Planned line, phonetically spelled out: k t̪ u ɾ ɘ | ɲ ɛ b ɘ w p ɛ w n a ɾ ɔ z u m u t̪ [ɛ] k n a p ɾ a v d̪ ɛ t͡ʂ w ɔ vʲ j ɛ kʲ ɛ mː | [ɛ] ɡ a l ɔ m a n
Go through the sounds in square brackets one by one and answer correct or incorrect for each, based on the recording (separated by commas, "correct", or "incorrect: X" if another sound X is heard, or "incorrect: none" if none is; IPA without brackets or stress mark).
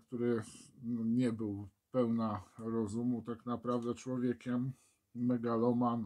incorrect: a, correct